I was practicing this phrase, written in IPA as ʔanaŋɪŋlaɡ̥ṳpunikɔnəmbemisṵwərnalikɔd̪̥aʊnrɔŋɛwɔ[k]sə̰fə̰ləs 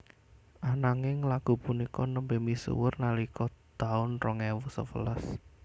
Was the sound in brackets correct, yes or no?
no